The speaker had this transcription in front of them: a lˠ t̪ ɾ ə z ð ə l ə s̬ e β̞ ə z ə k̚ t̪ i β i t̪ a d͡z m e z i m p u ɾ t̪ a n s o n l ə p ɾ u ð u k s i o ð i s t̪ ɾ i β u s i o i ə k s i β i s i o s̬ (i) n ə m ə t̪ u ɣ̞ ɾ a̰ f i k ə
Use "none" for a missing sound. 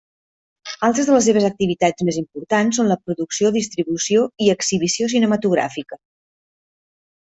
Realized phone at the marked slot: i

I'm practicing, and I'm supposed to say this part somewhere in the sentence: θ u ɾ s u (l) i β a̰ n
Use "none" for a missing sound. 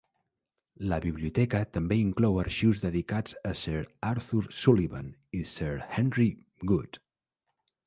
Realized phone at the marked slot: l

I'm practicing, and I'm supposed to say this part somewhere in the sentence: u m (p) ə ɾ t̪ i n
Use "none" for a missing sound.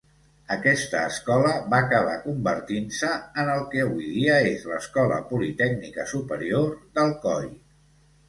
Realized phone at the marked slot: b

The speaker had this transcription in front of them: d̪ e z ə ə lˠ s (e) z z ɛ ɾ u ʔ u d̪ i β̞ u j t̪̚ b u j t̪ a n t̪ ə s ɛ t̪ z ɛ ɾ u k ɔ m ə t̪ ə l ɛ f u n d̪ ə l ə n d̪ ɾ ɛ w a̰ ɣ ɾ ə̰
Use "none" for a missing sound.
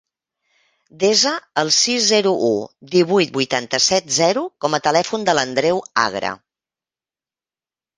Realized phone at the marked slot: i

